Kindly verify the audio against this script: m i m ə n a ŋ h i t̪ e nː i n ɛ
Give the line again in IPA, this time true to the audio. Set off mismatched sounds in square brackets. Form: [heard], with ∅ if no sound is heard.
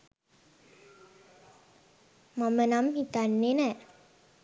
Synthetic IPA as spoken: m [a] m ə n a [m] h i t̪ [a] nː [e] n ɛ